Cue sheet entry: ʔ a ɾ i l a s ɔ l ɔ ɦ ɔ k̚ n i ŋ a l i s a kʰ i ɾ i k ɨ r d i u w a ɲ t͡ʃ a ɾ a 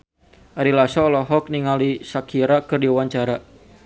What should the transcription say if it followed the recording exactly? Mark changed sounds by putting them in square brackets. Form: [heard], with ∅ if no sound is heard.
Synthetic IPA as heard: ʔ a ɾ i l a s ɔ l ɔ ɦ ɔ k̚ n i ŋ a l i s a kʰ i ɾ [a] k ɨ r d i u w a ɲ t͡ʃ a ɾ a